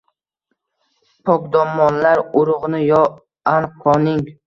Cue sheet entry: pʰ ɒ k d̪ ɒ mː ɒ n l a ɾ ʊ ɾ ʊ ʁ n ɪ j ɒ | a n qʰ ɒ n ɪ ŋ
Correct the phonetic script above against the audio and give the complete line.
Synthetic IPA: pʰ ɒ k d̪ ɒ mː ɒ n l a ɾ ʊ ɾ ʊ ʁ n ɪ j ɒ | a n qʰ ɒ n ɪ ŋ